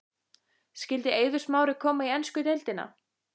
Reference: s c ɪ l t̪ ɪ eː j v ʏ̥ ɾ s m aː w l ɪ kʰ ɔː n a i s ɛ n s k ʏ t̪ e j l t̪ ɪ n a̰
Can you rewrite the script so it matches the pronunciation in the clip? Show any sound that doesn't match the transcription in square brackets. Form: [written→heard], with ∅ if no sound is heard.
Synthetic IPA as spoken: s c ɪ l t̪ ɪ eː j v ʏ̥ [ɾ→∅] s m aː w [l→ɾ] ɪ kʰ ɔː [n→m] a i [s→∅] ɛ n s k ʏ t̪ e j l t̪ ɪ n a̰